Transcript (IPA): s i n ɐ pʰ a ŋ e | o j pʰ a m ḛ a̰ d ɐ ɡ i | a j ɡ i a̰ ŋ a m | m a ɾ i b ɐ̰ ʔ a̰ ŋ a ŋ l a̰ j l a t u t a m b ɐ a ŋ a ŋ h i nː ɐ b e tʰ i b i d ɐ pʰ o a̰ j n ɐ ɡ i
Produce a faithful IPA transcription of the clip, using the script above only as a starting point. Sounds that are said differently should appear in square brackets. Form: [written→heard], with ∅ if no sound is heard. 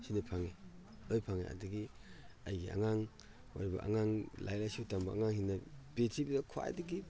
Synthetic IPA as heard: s i n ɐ pʰ a ŋ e | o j pʰ a [m→ŋ] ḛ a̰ d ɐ ɡ i | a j ɡ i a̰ ŋ a [m→ŋ] | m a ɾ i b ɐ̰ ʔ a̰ ŋ a ŋ l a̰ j l a [t→s] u t a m b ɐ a ŋ a ŋ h i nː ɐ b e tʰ i b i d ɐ [pʰ→kʰ] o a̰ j [n→d] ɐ ɡ i